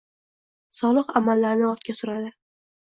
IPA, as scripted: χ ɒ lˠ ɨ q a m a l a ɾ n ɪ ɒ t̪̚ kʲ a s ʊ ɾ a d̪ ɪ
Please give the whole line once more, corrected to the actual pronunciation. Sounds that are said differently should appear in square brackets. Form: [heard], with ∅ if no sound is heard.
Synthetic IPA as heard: [s] ɒ lˠ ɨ q a m a [lː] a ɾ n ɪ ɒ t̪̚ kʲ a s ʊ ɾ a d̪ ɪ